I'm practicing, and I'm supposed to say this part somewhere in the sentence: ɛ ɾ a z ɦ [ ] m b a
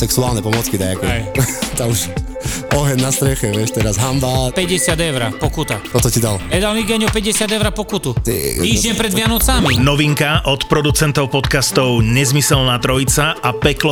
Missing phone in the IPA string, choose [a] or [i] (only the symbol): a